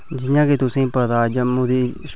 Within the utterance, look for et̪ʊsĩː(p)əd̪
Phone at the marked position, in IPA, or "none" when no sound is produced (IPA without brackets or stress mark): p